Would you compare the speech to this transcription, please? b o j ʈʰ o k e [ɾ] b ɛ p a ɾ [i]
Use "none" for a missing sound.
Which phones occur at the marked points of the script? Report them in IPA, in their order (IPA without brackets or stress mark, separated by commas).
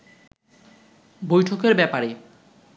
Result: ɾ, e